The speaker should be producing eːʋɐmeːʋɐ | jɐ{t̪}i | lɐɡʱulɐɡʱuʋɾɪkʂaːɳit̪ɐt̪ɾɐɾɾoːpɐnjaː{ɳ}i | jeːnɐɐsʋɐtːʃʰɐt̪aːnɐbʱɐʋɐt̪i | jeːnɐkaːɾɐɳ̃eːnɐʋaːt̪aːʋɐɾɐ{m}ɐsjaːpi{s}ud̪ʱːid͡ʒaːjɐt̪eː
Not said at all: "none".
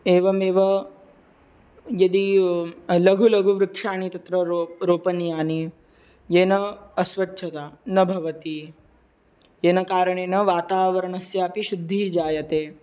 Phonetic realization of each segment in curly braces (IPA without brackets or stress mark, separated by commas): d̪, n, ɳ, ʃ